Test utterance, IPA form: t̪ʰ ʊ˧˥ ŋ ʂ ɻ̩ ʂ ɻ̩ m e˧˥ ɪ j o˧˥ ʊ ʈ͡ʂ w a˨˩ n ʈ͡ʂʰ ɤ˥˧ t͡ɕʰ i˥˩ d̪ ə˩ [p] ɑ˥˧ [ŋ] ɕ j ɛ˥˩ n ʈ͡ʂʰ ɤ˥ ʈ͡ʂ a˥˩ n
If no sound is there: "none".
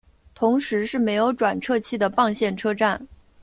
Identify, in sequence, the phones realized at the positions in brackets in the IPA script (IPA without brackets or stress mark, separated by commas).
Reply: p, ŋ